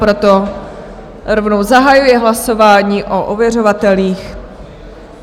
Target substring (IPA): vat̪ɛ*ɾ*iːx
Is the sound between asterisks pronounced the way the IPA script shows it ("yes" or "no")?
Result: no